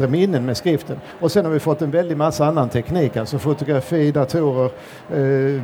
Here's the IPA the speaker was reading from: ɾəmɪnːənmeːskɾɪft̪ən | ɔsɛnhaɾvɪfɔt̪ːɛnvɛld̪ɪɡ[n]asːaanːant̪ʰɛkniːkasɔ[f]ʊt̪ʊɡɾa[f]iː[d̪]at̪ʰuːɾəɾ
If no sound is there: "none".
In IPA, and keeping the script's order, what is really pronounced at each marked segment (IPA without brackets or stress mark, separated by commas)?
m, f, f, d̪